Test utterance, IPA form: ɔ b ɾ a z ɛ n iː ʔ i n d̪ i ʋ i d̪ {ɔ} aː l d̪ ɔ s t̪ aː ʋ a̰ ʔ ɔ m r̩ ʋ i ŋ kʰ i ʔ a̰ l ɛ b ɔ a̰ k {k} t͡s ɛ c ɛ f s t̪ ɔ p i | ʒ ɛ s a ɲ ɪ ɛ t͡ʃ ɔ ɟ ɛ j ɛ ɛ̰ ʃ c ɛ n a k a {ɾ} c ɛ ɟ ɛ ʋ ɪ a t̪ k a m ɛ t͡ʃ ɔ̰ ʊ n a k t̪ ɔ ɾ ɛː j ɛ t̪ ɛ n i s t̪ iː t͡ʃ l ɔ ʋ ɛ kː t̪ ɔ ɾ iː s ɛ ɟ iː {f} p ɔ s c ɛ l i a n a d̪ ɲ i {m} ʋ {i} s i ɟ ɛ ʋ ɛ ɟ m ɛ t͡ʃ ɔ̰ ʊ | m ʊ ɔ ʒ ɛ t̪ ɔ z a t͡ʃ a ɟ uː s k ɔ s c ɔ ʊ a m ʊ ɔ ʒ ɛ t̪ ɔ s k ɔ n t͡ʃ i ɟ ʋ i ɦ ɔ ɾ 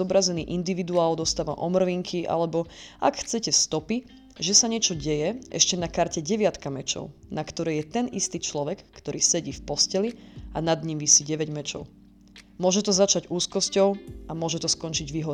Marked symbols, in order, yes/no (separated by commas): no, no, yes, yes, yes, yes